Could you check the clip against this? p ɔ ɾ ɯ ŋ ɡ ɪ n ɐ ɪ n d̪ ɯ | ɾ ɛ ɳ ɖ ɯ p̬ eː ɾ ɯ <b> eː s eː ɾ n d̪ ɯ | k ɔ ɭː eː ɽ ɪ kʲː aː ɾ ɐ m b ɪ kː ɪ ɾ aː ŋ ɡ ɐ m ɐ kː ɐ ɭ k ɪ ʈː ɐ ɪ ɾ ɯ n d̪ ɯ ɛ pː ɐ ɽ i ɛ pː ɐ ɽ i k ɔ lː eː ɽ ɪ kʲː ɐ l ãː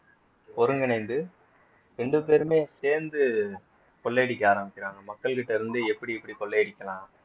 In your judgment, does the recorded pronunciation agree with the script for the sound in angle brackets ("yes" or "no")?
no